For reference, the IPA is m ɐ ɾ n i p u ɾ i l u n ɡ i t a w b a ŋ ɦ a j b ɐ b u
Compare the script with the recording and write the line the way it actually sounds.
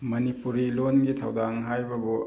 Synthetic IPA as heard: m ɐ n i p u ɾ i l o n ɡ i tʰ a w d a ŋ ɦ a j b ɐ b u